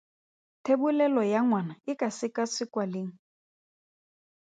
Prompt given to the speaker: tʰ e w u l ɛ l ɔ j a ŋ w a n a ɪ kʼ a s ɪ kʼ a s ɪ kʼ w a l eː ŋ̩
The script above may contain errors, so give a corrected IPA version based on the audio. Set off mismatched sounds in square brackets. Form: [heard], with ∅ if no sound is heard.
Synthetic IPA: tʰ e [b] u l ɛ l ɔ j a ŋ w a n a ɪ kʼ a s ɪ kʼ a s ɪ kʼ w a l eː ŋ̩

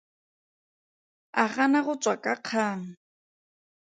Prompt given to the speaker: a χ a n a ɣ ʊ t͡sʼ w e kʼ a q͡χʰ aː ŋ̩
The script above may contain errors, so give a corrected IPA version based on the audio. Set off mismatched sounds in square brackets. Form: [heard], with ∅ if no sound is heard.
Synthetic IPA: a χ a n a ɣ ʊ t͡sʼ w [a] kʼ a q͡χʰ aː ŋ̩

